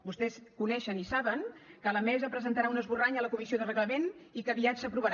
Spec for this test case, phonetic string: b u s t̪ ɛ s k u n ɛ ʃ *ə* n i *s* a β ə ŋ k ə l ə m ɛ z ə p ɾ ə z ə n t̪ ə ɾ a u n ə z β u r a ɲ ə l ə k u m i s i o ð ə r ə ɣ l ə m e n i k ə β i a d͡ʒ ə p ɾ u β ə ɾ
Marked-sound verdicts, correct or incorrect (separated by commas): correct, correct